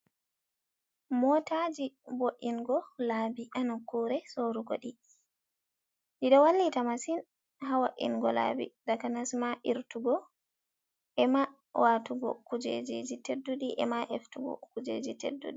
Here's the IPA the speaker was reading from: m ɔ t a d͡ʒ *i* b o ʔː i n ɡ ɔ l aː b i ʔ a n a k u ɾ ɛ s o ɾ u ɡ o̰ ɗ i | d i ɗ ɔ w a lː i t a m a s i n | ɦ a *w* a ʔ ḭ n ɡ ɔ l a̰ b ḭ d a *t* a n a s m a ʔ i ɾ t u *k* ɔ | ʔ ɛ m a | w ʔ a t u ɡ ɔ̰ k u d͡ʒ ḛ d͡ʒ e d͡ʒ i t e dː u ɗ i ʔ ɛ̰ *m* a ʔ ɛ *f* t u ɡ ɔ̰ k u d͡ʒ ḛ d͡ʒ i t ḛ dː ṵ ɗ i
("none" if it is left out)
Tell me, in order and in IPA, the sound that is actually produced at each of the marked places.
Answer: i, w, k, ɡ, m, f

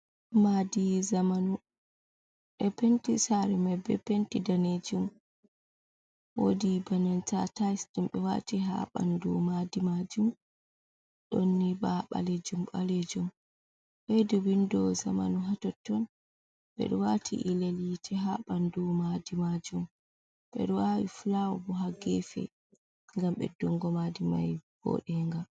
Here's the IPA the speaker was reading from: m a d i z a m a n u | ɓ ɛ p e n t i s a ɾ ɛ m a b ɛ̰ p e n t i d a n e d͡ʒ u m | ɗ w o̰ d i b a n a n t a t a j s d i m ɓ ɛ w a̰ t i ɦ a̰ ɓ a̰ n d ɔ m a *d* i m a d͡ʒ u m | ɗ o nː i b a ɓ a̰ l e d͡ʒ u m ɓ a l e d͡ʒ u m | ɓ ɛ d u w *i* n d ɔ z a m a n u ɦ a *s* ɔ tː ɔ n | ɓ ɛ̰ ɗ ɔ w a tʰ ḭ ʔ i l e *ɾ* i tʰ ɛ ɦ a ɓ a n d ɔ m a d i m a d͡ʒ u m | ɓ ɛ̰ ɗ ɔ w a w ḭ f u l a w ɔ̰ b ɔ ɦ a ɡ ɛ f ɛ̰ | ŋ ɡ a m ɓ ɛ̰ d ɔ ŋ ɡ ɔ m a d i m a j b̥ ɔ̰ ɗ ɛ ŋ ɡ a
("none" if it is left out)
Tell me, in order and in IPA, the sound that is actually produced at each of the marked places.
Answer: d, i, t, l

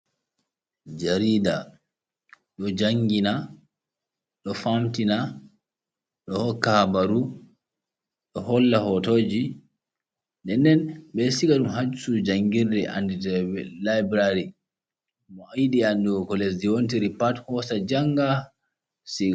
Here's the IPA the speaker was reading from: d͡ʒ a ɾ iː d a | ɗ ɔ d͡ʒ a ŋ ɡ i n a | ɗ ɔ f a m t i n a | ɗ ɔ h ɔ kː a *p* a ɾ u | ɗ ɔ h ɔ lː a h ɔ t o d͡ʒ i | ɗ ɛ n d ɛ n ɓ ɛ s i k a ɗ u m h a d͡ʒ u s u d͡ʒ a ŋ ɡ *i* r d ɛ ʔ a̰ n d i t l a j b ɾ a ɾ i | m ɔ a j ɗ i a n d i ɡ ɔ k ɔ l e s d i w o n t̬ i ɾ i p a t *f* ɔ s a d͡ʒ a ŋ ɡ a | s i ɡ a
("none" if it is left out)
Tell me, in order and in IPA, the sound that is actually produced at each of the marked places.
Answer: b, i, h

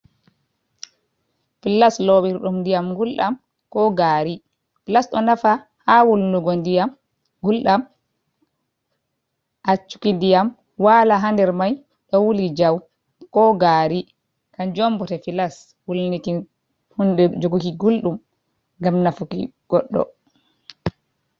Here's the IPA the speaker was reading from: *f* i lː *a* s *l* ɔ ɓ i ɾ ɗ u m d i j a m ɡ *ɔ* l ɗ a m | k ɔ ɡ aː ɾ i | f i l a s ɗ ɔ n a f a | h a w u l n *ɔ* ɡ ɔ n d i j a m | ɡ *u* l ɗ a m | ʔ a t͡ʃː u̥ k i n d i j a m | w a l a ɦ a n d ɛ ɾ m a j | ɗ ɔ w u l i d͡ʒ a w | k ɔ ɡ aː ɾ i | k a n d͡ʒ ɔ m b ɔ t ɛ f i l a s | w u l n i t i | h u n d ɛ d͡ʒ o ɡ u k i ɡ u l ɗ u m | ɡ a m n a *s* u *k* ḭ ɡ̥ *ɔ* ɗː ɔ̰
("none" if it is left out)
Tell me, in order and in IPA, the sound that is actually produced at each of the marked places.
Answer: f, a, l, u, u, u, f, k, ɔ

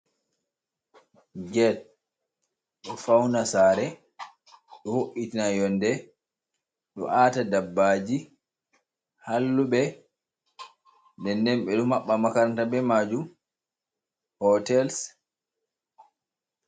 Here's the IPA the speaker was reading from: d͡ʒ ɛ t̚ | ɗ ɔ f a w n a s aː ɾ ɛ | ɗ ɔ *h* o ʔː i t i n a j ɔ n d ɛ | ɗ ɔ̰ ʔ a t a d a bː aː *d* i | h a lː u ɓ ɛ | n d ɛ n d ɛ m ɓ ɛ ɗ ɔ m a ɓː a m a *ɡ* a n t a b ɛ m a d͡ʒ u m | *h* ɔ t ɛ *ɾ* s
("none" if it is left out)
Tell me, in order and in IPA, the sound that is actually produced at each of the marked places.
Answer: h, d͡ʒ, k, h, l

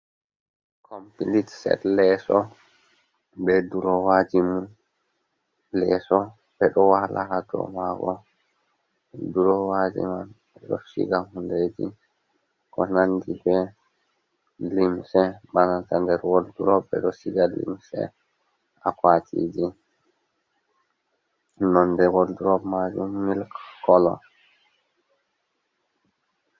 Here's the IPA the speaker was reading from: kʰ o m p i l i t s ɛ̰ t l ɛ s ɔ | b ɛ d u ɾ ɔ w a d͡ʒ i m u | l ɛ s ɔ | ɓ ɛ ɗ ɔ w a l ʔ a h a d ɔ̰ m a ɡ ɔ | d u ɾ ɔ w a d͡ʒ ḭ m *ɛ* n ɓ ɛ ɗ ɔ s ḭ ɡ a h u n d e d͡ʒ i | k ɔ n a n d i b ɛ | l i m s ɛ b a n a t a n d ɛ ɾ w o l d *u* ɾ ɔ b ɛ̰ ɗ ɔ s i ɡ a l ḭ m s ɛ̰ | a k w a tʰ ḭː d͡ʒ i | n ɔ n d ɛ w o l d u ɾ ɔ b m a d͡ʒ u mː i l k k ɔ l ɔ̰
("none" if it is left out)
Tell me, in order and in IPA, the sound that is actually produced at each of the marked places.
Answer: a, u

